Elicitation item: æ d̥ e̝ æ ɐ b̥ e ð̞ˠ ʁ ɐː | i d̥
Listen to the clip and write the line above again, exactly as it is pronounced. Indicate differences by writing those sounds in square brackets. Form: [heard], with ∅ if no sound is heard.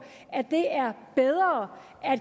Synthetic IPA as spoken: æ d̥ e̝ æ ɐ b̥ e ð̞ˠ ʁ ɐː | [æ] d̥